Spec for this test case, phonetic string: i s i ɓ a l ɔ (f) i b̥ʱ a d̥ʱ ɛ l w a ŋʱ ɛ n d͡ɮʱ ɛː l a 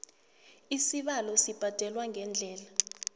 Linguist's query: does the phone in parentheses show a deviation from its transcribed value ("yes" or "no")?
yes